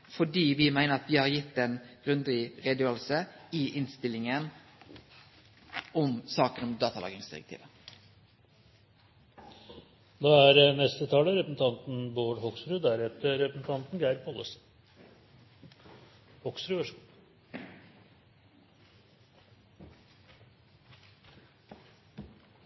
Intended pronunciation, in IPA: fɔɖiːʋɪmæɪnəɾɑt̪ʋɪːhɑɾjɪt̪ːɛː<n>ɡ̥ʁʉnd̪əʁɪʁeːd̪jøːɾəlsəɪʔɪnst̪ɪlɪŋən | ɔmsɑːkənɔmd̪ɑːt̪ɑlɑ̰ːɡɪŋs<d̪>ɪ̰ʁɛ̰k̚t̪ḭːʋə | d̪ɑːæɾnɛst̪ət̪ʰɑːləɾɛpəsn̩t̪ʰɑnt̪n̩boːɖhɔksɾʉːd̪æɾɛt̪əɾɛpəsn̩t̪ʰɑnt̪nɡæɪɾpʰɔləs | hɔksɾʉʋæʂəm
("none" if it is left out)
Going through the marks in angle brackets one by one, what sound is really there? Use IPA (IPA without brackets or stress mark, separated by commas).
n, d̪